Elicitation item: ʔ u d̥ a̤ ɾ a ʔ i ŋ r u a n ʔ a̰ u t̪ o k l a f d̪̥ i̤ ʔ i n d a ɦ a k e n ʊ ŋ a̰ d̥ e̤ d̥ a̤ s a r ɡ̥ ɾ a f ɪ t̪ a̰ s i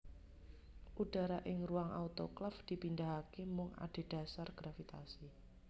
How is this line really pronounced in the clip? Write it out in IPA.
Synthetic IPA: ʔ u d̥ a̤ ɾ a ʔ ɪ ŋ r u a ŋ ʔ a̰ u t̪ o k l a f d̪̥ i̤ p i n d a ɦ a k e m ʊ ŋ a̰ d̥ e̤ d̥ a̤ s a r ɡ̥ ɾ a f i t̪ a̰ s i